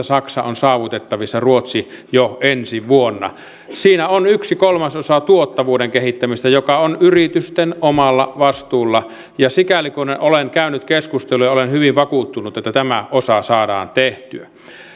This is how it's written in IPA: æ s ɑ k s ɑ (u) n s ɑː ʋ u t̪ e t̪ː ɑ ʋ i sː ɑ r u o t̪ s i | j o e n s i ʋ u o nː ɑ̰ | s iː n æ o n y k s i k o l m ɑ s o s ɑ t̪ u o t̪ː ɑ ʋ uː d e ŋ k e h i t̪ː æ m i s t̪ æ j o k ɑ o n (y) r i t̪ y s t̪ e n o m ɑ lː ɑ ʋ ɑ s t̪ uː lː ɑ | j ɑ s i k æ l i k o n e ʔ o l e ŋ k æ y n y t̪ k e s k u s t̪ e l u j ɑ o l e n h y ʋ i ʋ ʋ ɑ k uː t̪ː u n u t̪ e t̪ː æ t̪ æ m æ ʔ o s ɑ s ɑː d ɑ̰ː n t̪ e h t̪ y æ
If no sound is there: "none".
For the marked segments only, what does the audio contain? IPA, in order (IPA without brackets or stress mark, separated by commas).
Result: o, y